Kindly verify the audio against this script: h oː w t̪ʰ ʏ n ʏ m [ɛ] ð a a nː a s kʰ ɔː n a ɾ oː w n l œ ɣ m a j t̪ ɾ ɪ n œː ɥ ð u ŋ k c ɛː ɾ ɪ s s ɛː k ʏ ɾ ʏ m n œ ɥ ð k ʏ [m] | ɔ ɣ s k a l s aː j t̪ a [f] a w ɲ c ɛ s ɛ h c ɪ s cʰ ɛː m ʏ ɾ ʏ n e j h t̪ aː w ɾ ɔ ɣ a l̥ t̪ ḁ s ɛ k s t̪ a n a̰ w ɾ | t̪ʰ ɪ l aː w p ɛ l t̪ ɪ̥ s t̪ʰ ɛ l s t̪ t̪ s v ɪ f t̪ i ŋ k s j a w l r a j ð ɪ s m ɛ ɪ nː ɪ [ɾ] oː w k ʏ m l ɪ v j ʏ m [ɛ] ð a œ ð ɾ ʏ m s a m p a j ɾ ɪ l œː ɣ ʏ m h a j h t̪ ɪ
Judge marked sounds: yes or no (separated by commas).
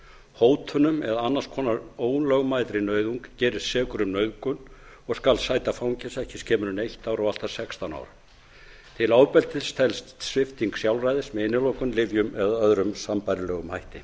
yes, no, yes, no, yes